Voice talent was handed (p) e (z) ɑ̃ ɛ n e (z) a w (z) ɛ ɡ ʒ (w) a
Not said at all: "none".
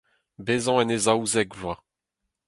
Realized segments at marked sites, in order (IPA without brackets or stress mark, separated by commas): b, z, z, z, w